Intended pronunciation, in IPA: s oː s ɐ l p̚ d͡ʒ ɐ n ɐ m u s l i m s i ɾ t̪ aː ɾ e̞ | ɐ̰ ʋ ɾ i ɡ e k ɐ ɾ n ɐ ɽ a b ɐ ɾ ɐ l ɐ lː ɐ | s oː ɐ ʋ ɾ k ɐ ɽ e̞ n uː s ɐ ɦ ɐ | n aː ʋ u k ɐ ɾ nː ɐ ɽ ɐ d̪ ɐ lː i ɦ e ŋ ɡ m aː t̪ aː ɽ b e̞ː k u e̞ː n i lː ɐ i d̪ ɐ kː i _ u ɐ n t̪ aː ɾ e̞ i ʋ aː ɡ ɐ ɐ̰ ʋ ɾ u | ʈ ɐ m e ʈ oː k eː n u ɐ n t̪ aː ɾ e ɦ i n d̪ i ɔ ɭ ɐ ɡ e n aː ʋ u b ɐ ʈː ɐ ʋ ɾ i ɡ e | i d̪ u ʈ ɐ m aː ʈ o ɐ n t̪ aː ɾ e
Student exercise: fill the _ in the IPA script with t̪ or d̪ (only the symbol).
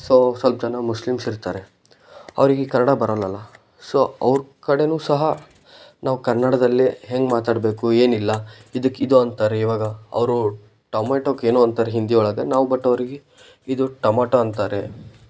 d̪